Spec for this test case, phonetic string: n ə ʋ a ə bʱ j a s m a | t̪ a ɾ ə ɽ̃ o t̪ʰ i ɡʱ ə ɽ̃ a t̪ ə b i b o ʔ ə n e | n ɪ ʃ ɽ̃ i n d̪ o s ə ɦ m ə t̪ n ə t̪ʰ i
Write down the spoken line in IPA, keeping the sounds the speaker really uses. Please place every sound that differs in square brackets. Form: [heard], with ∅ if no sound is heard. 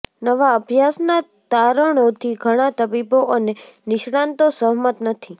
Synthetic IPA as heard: n ə ʋ a ə bʱ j a s [n] a | t̪ a ɾ ə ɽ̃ o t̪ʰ i ɡʱ ə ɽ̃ a t̪ ə b i b o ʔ ə n e | n ɪ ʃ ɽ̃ [a] n [t̪] o s ə ɦ m ə t̪ n ə t̪ʰ i